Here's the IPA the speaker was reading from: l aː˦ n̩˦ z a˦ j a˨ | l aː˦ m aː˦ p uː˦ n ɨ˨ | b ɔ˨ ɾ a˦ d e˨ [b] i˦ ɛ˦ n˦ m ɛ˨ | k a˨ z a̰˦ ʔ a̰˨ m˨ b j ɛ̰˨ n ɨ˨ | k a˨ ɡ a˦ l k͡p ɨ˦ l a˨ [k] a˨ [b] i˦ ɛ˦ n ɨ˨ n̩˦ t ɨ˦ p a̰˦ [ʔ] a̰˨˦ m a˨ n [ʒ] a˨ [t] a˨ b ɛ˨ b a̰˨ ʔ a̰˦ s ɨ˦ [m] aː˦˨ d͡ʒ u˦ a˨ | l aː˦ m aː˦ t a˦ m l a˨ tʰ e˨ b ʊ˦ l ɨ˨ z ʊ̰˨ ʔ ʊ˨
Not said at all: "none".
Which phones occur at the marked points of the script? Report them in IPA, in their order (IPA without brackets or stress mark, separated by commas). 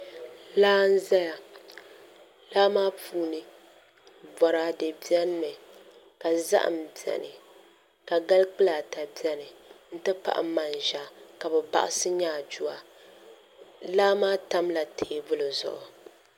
b, t, b, ʔ, ʒ, k, ɲ